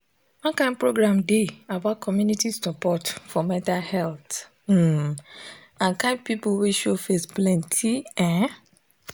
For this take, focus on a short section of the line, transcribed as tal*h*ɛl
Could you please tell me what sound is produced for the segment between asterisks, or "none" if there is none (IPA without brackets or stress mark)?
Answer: h